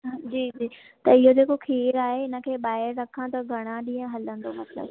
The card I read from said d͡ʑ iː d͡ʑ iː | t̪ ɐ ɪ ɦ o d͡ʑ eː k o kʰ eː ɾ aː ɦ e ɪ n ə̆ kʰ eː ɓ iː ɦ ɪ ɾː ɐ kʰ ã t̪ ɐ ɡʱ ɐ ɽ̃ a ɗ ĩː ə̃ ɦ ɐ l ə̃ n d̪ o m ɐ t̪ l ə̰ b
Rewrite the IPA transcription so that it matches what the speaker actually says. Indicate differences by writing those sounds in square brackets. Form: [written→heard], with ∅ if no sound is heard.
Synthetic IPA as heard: d͡ʑ iː d͡ʑ iː | t̪ ɐ ɪ ɦ o d͡ʑ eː k o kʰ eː ɾ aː ɦ e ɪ n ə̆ kʰ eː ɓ [iː→aː] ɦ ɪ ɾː ɐ kʰ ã t̪ ɐ ɡʱ ɐ ɽ̃ a ɗ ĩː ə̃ ɦ ɐ l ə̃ n d̪ o m ɐ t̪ l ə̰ b